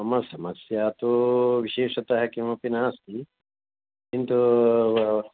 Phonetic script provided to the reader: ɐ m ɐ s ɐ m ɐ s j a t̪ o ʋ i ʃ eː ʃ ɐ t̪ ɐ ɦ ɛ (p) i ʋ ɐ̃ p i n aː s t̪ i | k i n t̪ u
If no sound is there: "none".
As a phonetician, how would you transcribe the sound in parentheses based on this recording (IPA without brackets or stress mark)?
k